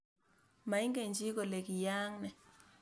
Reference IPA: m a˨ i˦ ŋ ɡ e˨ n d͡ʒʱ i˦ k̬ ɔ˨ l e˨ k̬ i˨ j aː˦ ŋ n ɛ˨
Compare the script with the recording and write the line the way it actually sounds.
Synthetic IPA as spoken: m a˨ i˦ ŋ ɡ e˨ n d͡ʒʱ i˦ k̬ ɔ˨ l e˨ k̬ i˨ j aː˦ ŋ n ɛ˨